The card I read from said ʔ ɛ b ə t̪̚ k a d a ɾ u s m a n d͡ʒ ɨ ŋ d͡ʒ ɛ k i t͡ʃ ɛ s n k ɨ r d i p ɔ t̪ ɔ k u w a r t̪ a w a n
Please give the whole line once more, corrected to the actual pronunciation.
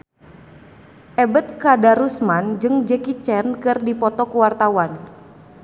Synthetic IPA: ʔ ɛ b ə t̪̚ k a d a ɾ u s m a n d͡ʒ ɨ ŋ d͡ʒ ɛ k i t͡ʃ ɛ n k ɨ r d i p ɔ t̪ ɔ k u w a r t̪ a w a n